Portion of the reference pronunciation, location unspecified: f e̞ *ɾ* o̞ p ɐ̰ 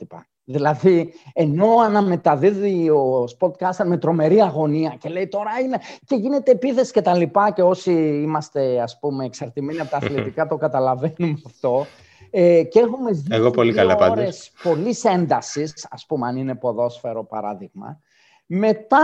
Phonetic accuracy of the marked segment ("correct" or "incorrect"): correct